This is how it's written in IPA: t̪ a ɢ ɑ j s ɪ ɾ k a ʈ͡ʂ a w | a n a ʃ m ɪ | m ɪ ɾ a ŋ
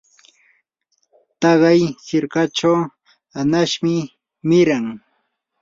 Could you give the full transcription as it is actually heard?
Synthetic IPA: t̪ ɑ ɢ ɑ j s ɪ ɾ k a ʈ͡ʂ a w | a n a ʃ m ɪ | m ɪ ɾ a ŋ